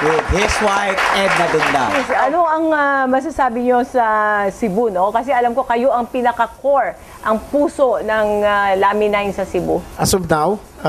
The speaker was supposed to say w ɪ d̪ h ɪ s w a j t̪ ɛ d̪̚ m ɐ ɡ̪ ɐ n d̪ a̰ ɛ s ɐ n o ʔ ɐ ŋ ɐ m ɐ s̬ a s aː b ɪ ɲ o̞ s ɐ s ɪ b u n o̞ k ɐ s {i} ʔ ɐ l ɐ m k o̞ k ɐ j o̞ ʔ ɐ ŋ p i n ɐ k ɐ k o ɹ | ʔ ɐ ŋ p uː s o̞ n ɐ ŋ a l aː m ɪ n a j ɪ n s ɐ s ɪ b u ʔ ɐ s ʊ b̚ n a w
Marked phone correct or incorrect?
incorrect